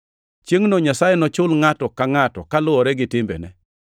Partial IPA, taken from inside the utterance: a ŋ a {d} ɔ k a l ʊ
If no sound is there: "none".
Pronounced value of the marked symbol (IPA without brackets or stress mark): t